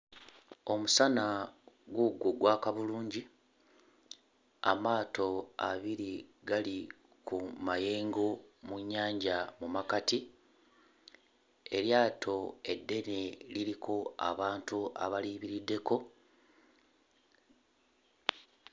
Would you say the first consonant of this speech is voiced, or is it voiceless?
voiced